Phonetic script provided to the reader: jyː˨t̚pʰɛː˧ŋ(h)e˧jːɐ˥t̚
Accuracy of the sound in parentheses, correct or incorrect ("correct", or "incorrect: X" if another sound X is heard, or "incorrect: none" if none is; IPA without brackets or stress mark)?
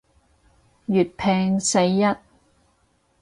incorrect: s